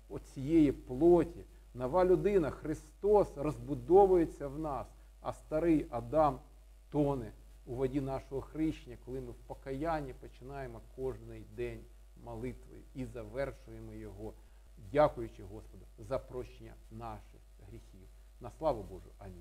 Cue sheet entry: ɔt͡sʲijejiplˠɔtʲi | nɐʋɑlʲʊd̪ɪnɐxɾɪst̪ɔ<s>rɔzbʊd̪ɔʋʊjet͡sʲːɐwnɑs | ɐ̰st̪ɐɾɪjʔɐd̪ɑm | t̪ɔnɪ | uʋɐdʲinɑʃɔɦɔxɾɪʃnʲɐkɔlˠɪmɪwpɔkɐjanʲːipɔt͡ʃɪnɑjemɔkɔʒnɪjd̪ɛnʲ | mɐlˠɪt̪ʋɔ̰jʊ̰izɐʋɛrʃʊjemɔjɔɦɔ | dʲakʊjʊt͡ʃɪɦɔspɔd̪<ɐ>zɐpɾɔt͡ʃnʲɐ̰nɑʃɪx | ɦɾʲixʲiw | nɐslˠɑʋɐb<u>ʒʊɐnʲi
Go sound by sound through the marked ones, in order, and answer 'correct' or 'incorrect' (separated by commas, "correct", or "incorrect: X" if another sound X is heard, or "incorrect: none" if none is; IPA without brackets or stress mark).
correct, correct, incorrect: ɔ